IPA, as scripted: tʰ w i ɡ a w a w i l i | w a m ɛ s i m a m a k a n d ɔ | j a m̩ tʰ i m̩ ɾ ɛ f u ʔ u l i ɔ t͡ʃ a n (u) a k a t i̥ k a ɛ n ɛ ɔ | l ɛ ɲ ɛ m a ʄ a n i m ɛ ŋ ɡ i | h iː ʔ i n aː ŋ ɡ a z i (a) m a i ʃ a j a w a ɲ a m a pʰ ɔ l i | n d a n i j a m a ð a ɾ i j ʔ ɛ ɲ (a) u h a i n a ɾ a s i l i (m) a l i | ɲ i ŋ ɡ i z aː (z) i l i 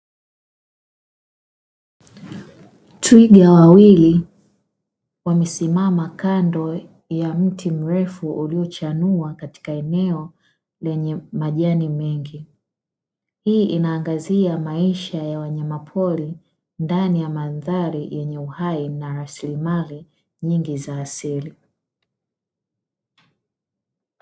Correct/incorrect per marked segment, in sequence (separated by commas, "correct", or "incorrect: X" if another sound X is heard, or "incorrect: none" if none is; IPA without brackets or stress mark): correct, correct, incorrect: ɛ, correct, incorrect: s